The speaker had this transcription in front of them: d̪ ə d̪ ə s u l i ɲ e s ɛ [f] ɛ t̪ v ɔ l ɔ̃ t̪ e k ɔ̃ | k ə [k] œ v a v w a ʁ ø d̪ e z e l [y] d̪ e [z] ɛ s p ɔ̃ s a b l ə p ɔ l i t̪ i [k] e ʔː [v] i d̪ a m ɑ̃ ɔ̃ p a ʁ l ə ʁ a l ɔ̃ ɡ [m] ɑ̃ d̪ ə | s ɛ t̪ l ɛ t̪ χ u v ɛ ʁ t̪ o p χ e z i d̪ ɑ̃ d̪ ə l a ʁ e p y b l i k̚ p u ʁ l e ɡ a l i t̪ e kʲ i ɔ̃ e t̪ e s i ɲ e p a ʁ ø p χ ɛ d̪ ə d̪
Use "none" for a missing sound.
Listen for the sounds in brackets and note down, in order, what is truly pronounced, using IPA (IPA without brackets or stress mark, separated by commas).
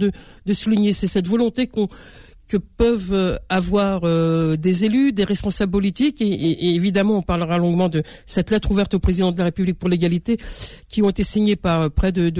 s, p, y, ʁ, k, v, m